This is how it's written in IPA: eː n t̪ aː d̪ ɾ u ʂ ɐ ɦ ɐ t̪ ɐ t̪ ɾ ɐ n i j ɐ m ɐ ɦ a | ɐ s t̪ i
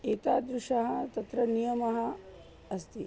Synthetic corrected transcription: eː t̪ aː d̪ ɾ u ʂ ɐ ɦ ɐ t̪ ɐ t̪ ɾ ɐ n i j ɐ m ɐ ɦ ɐ | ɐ s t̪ i